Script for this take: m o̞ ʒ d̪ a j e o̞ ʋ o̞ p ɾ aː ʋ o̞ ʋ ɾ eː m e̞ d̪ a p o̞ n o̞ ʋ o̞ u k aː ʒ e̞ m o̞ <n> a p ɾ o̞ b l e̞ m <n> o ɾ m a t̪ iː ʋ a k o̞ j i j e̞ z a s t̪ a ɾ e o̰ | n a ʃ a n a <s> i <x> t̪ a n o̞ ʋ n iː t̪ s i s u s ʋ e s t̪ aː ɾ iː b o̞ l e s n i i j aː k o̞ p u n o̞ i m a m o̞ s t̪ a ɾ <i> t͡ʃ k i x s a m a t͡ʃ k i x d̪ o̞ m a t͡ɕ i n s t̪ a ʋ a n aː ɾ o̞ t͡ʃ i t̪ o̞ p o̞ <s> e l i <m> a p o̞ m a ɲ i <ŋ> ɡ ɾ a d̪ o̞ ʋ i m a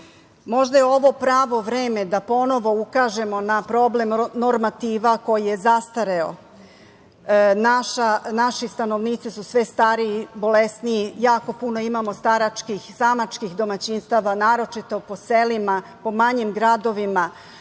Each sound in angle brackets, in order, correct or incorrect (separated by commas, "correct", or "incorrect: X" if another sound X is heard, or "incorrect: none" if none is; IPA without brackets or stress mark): correct, correct, incorrect: ʃ, incorrect: s, incorrect: a, correct, correct, incorrect: m